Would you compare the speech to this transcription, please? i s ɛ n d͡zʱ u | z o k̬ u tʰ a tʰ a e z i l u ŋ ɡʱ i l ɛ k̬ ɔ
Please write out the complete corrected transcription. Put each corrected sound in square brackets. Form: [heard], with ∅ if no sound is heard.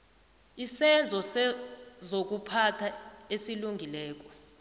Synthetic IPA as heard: i s ɛ n d͡zʱ [ɔ] | z o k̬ u [pʰ] a tʰ a e [s] i l u ŋ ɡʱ i l [ɛː] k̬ ɔ